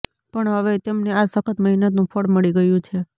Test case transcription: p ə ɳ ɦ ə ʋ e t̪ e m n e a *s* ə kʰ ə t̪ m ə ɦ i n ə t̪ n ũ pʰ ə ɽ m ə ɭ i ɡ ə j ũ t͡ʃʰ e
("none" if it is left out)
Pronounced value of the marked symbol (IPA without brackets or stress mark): s